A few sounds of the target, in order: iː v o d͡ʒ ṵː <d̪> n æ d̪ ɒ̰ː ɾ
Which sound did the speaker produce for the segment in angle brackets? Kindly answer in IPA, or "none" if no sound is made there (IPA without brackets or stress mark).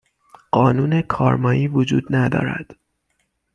d̪